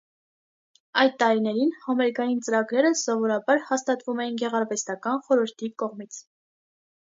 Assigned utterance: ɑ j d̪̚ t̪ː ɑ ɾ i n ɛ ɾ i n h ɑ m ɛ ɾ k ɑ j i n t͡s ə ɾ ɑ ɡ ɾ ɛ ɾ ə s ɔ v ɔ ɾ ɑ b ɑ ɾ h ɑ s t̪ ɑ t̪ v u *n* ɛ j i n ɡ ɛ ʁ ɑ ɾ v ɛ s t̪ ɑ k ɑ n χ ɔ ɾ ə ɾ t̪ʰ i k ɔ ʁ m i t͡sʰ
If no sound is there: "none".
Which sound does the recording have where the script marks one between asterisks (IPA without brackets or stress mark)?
m